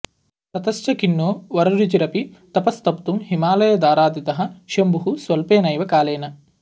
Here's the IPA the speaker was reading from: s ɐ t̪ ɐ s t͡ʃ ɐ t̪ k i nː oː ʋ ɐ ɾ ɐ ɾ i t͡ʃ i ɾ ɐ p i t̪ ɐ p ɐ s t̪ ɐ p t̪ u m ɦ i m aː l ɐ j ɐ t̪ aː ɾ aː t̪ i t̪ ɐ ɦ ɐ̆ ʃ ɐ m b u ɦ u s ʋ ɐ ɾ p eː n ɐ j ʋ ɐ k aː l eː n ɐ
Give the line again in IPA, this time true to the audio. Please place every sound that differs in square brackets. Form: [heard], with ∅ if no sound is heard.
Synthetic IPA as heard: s ɐ t̪ ɐ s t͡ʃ ɐ [∅] k i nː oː ʋ ɐ ɾ ɐ ɾ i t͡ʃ i ɾ ɐ p i t̪ ɐ p ɐ s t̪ ɐ p t̪ u m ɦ i m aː l ɐ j ɐ [d̪] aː ɾ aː [d̪] i t̪ ɐ ɦ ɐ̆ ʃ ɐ m b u ɦ u s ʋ ɐ [l] p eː n ɐ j ʋ ɐ k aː l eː n ɐ

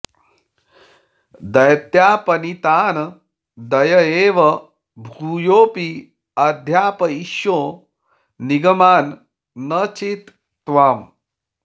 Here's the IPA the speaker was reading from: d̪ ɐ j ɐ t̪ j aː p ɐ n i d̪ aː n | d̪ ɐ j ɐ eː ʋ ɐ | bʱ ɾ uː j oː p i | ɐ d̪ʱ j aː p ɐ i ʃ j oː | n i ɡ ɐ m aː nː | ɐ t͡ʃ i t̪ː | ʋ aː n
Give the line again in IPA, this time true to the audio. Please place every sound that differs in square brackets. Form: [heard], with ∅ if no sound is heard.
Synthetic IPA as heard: d̪ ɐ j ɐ t̪ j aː p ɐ n i [t̪] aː n | d̪ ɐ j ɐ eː ʋ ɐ | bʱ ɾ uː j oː p i | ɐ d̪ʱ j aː p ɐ i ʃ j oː | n i ɡ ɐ m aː nː | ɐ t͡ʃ i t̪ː | ʋ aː [m]

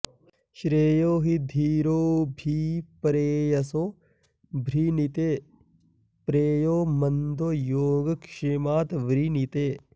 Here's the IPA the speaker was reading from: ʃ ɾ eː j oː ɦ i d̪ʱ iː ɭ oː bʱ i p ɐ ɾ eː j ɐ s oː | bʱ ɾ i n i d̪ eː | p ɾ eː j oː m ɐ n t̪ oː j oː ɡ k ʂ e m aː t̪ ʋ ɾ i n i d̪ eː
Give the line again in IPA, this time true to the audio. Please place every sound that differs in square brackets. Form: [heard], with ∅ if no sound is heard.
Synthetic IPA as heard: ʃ ɾ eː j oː ɦ i d̪ʱ iː [ɾ] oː bʱ i p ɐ ɾ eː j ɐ s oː | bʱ ɾ i n i [t̪] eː | p ɾ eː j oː m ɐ n [d̪] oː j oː ɡ k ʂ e m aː t̪ ʋ ɾ i n i [t̪] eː

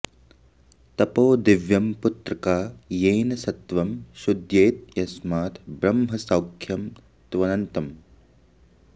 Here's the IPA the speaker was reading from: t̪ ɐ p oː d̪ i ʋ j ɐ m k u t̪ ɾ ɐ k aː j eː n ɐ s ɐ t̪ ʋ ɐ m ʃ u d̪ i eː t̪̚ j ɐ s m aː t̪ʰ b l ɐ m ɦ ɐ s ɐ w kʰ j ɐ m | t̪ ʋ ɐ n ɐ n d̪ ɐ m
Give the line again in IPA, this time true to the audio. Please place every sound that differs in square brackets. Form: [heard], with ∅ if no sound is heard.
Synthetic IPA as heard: t̪ ɐ p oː d̪ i ʋ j ɐ m [p] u t̪ ɾ ɐ k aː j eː n ɐ s ɐ t̪ ʋ ɐ m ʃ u d̪ [j] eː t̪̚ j ɐ s m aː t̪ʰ b [ɾ] ɐ m ɦ ɐ s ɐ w kʰ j ɐ m | t̪ ʋ ɐ n ɐ n [t̪] ɐ m

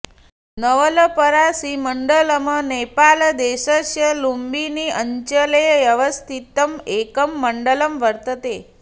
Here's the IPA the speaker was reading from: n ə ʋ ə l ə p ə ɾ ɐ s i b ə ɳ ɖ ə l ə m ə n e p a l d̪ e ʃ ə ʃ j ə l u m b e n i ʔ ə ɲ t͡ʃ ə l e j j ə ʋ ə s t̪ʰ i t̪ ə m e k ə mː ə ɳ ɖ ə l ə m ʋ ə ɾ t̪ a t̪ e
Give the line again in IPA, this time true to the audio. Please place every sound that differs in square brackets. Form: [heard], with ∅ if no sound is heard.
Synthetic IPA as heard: n ə ʋ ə l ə p ə ɾ [a] s i [m] ə ɳ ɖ ə l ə m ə n e p a l d̪ e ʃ ə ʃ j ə l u m b [i] n i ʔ ə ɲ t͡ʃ ə l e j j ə ʋ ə s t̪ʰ i t̪ ə m e k ə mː ə ɳ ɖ ə l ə m ʋ ə ɾ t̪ [ə] t̪ e

